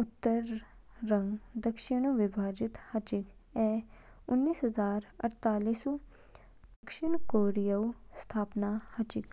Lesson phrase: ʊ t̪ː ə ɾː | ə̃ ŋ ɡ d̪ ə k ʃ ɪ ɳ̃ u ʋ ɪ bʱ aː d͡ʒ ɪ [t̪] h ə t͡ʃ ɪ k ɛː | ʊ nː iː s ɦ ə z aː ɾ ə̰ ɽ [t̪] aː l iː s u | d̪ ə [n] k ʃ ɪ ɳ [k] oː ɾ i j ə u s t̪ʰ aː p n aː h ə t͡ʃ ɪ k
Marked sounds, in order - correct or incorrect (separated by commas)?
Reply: correct, correct, incorrect, correct